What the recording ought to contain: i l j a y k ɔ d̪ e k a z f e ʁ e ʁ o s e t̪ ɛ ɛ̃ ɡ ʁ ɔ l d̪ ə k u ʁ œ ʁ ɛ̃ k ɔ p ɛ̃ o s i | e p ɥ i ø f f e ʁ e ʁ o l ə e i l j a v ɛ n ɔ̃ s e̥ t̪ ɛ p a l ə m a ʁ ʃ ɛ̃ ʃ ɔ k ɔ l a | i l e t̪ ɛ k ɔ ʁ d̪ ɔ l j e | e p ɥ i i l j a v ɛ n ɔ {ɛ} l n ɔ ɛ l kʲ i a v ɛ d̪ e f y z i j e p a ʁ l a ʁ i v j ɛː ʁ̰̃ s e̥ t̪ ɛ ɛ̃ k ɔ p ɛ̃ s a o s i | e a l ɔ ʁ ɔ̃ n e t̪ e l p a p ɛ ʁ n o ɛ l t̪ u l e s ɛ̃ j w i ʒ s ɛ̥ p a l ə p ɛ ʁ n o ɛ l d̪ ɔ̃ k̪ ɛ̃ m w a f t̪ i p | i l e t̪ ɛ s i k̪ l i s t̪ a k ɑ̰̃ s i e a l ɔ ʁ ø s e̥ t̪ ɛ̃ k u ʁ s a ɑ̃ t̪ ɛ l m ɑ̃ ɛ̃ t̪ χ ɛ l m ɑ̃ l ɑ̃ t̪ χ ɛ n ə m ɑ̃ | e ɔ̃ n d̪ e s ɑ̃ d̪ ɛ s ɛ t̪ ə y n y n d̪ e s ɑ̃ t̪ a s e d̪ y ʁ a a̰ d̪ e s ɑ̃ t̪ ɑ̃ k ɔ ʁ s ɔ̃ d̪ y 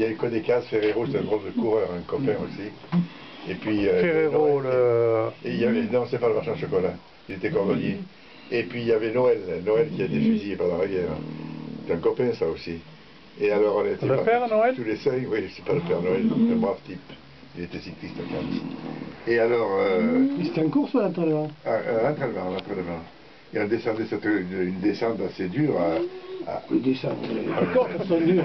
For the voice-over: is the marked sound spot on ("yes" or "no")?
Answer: yes